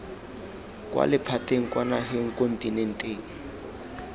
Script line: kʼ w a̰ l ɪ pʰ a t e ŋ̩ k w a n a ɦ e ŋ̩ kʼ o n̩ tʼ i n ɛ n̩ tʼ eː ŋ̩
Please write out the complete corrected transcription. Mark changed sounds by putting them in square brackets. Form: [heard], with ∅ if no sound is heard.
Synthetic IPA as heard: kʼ w a̰ l ɪ pʰ a t e ŋ̩ k w a n a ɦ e ŋ̩ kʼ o n̩ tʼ i n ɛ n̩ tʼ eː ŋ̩